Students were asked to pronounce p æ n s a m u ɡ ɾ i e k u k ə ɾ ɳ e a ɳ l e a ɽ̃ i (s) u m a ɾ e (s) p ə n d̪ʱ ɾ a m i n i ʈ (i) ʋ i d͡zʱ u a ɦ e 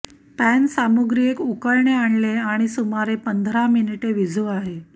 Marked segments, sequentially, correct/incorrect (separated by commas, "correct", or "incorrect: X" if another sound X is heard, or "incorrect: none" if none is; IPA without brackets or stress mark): correct, incorrect: none, incorrect: e